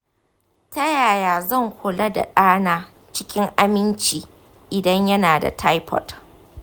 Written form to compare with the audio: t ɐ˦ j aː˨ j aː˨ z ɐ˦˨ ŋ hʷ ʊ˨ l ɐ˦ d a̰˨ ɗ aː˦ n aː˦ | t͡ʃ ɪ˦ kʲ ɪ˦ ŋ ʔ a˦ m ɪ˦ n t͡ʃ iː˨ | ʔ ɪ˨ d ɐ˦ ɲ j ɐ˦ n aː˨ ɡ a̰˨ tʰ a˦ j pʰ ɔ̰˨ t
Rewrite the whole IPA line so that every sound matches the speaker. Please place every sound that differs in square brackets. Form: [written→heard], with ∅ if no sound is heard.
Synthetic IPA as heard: t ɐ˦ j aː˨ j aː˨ z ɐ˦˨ ŋ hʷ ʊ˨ l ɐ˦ d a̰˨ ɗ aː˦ n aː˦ | t͡ʃ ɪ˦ kʲ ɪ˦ ŋ ʔ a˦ m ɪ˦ n t͡ʃ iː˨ | ʔ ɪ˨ d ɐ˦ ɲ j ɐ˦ n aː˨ [ɡ→d] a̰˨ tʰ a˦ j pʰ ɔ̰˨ t